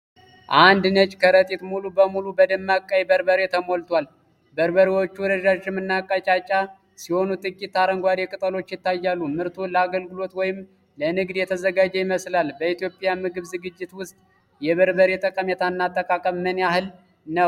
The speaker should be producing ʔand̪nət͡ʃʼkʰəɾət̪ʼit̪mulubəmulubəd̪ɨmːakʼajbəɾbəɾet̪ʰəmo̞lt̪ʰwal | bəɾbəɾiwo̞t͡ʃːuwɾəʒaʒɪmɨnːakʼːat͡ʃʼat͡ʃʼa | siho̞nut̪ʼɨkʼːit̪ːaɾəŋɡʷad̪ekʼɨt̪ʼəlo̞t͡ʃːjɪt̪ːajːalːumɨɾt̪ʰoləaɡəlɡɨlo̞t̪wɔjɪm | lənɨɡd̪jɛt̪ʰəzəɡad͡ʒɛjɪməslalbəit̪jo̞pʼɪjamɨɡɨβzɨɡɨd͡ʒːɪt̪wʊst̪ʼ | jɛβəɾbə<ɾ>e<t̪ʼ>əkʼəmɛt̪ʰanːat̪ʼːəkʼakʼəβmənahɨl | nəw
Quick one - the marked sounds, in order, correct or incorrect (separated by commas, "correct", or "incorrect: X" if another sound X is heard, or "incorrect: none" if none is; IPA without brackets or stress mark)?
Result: correct, correct